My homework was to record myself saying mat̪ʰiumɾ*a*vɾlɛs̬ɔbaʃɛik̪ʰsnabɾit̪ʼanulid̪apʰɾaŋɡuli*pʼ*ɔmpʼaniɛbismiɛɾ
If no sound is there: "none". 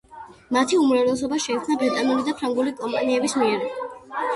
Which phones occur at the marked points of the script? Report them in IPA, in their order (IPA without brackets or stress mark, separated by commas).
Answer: a, kʼ